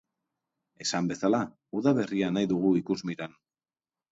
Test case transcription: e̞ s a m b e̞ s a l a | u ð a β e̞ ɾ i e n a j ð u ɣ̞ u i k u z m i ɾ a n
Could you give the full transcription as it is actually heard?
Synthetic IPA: e̞ s a m b e̞ s a l a | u ð a β e̞ r i a n a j ð u ɣ̞ u i k u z m i ɾ a n